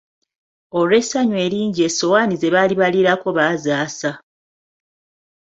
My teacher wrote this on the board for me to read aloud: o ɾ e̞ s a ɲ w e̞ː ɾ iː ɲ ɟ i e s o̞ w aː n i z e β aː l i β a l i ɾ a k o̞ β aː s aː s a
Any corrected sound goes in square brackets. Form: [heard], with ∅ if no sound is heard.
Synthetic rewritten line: o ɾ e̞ s a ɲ w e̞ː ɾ iː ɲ ɟ i e s o̞ w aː n i z e β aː l i β a l i ɾ a k o̞ β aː [z] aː s a